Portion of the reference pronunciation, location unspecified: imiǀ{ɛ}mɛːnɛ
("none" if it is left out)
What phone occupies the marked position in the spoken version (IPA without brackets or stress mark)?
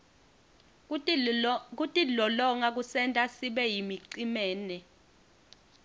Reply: i